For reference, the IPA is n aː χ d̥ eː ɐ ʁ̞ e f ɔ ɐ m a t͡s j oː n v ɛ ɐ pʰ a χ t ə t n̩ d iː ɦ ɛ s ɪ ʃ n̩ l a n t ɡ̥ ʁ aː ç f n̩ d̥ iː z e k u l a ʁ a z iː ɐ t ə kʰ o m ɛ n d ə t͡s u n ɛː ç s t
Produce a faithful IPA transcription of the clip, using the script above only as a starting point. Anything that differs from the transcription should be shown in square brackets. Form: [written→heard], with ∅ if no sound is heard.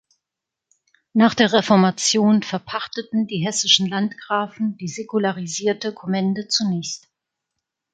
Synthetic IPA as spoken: n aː χ d̥ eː ɐ ʁ̞ e f ɔ ɐ m a t͡s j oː n [v→f] ɛ ɐ pʰ a χ t ə t n̩ d iː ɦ ɛ s ɪ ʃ n̩ l a n t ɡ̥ ʁ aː [ç→∅] f n̩ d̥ iː z e k u l a ʁ [a→i] z iː ɐ t ə kʰ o m ɛ n d ə t͡s u n ɛː ç s t